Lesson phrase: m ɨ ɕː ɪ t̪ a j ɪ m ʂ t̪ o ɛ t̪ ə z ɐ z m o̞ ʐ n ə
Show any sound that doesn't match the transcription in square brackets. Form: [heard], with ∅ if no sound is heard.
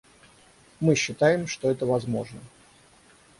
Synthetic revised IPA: m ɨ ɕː ɪ t̪ a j ɪ m ʂ t̪ o ɛ t̪ ə [v] ɐ z m o̞ ʐ n ə